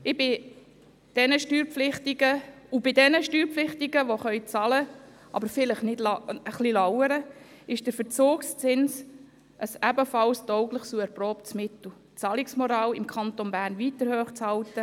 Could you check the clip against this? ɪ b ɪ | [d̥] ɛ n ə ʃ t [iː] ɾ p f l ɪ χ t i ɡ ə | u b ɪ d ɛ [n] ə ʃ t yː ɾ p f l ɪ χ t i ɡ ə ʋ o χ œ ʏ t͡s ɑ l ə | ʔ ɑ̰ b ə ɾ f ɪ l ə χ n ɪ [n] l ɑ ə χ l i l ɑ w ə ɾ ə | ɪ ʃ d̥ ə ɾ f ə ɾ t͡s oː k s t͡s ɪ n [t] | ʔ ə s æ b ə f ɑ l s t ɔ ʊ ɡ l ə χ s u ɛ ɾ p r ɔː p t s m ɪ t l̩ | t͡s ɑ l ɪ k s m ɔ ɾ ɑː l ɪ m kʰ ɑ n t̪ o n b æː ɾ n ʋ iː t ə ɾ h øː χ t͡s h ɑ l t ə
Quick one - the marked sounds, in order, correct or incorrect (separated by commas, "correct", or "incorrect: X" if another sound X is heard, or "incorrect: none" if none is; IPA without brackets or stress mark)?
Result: correct, incorrect: yː, correct, incorrect: d, incorrect: s